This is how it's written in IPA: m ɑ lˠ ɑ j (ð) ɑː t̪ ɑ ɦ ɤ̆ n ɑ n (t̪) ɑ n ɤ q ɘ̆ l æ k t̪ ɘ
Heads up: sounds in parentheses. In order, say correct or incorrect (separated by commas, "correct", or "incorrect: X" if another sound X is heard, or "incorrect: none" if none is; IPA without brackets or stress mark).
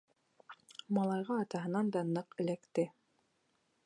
incorrect: ʁ, incorrect: d̪